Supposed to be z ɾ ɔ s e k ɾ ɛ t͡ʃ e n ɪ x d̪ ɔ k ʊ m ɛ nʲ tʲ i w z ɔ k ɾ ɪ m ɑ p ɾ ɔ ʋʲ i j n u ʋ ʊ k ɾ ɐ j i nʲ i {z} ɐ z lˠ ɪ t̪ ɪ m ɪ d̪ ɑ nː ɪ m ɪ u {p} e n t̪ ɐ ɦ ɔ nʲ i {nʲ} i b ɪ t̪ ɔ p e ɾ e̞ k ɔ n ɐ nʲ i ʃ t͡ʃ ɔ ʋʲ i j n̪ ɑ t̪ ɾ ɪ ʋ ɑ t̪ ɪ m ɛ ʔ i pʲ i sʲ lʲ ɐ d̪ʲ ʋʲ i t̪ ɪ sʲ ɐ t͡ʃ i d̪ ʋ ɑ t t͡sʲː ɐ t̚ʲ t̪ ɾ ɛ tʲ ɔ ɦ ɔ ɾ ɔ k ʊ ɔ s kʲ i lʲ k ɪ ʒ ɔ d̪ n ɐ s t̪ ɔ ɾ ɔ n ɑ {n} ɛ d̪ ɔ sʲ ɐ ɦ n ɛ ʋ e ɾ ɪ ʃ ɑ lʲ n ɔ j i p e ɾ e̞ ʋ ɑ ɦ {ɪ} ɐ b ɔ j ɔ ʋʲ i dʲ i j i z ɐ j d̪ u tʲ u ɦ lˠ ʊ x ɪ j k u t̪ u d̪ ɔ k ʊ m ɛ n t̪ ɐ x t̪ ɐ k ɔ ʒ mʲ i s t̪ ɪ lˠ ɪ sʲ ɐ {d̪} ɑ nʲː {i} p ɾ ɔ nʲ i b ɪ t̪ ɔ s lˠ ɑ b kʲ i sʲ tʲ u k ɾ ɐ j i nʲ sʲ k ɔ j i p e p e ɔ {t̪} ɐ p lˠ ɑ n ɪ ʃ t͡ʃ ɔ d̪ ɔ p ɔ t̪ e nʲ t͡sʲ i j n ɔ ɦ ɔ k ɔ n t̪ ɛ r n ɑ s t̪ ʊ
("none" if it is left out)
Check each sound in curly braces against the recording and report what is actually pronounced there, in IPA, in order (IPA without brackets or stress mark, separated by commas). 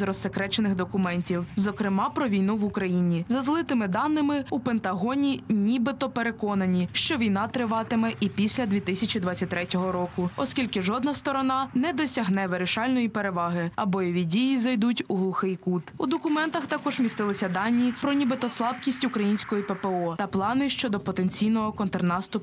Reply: z, p, nʲ, n, ɪ, d̪, i, t̪